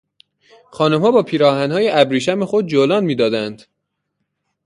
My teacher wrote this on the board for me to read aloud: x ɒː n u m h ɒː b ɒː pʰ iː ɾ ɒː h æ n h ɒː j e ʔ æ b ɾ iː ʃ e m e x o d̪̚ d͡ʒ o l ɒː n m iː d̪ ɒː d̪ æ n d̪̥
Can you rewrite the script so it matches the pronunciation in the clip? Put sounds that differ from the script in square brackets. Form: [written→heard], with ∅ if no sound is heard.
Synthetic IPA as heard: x ɒː n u m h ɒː b ɒː pʰ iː ɾ ɒː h æ n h ɒː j e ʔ æ b ɾ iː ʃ [e→æ] m e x o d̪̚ d͡ʒ o l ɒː n m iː d̪ ɒː d̪ æ n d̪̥